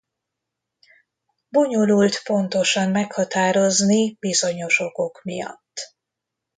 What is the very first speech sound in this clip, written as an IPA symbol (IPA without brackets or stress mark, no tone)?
b